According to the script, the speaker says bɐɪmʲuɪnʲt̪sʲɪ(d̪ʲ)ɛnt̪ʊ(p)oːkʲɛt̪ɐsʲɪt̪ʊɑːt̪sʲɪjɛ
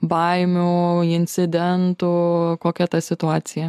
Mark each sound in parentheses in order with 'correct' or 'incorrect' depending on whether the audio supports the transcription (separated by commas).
correct, incorrect